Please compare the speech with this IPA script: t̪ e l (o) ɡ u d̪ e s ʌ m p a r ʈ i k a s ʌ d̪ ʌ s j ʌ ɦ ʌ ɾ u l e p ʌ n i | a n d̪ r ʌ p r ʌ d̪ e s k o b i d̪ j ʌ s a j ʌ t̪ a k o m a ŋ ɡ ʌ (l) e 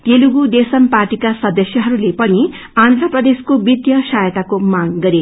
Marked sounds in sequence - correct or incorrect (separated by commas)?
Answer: incorrect, incorrect